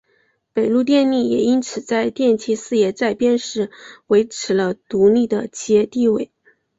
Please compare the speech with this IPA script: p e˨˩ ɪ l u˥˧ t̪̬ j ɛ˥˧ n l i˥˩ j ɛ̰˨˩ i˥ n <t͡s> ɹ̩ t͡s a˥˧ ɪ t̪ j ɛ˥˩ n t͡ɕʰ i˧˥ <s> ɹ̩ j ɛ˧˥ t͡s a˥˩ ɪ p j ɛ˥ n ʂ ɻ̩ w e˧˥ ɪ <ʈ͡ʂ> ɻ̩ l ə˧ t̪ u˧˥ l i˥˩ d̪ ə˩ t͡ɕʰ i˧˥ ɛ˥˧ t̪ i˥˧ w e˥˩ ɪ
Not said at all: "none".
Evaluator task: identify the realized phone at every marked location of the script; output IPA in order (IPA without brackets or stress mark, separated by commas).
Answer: t͡sʰ, s, ʈ͡ʂʰ